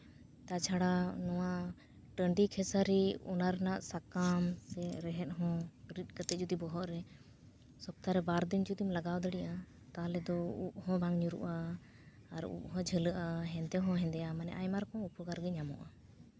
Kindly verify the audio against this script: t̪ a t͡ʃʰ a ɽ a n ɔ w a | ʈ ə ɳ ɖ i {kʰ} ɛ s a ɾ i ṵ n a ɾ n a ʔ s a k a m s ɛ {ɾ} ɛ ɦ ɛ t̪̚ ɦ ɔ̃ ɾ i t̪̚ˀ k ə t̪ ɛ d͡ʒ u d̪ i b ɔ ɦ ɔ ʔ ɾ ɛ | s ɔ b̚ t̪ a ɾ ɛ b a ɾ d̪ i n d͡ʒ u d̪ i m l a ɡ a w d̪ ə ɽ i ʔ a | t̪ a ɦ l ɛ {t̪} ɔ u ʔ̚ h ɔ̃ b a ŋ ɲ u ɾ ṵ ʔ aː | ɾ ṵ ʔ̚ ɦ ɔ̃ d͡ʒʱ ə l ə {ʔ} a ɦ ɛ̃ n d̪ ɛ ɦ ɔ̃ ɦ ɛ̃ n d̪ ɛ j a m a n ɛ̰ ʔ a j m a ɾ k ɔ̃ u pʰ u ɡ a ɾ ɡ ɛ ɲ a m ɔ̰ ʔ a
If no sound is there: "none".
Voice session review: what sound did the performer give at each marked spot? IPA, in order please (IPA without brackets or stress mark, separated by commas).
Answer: kʰ, ɾ, d̪, ʔ